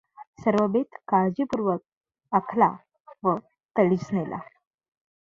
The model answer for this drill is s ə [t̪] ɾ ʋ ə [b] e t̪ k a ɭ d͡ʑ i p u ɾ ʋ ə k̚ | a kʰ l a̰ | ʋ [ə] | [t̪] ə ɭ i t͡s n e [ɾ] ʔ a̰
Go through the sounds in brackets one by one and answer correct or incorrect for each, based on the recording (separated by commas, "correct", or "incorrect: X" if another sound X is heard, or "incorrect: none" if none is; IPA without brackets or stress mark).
incorrect: none, correct, correct, correct, incorrect: l